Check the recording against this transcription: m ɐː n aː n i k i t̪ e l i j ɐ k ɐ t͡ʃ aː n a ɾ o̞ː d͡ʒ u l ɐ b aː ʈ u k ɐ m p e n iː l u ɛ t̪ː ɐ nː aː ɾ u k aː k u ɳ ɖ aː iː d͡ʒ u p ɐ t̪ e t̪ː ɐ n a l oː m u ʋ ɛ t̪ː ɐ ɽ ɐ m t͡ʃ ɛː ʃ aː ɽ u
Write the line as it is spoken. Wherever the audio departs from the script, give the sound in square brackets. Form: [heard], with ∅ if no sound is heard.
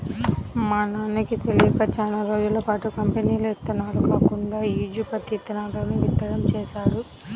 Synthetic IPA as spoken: m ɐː n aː n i k i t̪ e l i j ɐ k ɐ t͡ʃ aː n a ɾ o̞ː d͡ʒ u l ɐ [p] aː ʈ u k ɐ m p e n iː l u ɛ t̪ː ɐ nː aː ɾ u k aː k u ɳ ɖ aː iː d͡ʒ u p ɐ t̪ [i] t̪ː ɐ n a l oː [n] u ʋ [i] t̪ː ɐ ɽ ɐ m t͡ʃ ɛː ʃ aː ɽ u